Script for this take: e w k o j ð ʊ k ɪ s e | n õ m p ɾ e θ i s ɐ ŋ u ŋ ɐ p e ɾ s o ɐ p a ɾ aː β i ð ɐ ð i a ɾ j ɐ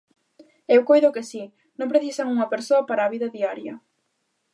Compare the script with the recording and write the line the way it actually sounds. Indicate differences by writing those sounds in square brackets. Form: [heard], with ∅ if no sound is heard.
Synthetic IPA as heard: e w k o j ð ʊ k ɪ s [i] | n õ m p ɾ e θ i s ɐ ŋ u ŋ ɐ p e ɾ s o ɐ p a ɾ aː β i ð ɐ ð i a ɾ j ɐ

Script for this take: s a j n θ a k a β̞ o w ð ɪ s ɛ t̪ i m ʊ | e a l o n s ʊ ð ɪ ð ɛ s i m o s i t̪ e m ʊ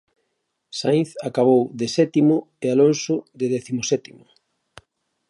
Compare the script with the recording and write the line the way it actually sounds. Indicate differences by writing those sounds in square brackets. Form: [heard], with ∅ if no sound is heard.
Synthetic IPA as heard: s a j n θ a k a β̞ o w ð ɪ s ɛ t̪ i m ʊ | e a l o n s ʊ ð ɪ ð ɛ [θ] i m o s [ɛ] t̪ [i] m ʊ

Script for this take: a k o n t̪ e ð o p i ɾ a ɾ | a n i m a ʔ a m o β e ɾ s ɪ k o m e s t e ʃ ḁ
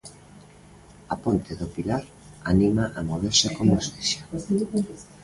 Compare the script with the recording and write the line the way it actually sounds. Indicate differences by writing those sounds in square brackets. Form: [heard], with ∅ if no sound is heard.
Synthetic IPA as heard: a [p] o n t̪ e ð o p i [l] a ɾ | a n i m a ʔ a m o β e ɾ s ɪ k o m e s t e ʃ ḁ

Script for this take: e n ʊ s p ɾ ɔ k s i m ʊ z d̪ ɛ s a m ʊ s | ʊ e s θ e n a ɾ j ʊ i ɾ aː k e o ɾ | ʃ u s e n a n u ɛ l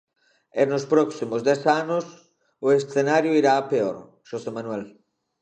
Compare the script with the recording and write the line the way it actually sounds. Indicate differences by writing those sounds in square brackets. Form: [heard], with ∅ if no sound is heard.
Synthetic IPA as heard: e n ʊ s p ɾ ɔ k s i m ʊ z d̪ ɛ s a [n] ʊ s | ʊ e s θ e n a ɾ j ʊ i ɾ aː [p] e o ɾ | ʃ [o] s e [m] a n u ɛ l

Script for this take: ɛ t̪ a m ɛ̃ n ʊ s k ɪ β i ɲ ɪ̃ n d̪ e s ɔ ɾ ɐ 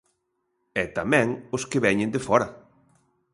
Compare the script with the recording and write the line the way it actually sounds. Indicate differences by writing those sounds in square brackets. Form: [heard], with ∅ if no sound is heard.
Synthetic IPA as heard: ɛ t̪ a m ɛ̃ [ŋ] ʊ s k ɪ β [ɛ] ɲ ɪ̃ n d̪ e [f] ɔ ɾ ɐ

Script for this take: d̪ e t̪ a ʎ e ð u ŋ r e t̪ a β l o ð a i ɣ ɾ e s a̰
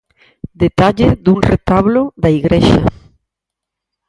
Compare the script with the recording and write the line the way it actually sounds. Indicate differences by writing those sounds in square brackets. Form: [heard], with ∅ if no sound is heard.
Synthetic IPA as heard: d̪ e t̪ a ʎ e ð u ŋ r e t̪ a β l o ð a i ɣ ɾ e [ʃ] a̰

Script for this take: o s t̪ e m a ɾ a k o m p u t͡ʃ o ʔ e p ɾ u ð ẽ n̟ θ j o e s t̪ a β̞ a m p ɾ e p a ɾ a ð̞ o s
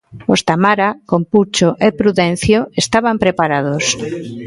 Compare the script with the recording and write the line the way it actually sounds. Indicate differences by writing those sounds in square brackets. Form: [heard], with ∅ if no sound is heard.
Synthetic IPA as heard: o s t̪ [a] m a ɾ a k o m p u t͡ʃ o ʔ e p ɾ u ð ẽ n̟ θ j o e s t̪ a β̞ a m p ɾ e p a ɾ a ð̞ o s

